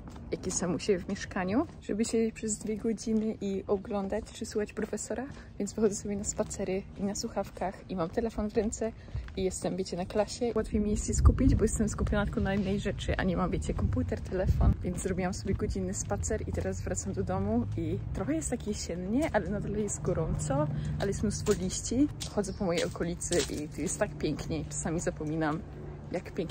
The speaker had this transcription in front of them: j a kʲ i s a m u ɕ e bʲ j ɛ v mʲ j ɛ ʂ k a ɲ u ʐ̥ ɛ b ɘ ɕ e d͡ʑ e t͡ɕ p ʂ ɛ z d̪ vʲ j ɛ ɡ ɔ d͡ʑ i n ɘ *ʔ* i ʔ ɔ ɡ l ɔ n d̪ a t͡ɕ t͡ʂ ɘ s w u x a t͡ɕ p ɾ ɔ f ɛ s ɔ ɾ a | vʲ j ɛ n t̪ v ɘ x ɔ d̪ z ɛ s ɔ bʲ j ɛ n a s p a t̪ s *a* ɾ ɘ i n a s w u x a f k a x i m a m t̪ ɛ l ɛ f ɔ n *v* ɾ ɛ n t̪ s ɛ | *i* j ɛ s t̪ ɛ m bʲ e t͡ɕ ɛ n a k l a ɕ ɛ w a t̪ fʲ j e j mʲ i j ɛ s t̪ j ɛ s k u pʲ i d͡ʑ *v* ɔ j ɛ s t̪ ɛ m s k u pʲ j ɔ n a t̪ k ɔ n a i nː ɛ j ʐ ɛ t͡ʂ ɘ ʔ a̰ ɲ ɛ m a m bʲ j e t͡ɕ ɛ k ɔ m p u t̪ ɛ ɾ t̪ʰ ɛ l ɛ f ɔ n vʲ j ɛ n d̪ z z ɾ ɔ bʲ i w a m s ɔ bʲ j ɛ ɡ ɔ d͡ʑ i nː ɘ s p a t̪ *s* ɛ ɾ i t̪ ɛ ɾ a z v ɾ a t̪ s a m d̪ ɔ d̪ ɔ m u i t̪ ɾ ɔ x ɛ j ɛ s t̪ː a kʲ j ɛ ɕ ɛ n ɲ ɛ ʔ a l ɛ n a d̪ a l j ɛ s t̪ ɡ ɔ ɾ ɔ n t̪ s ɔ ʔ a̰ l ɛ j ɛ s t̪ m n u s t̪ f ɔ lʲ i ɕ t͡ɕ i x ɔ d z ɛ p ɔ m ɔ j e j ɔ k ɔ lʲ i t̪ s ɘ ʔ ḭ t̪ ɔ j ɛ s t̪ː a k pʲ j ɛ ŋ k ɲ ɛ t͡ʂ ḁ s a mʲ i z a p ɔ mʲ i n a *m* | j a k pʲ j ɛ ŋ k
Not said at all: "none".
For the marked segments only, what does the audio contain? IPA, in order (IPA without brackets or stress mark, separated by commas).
ʔ, ɛ, v, i, b, s, m